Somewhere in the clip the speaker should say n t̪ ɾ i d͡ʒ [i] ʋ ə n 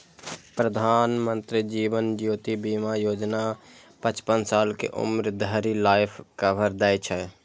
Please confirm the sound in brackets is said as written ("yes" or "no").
no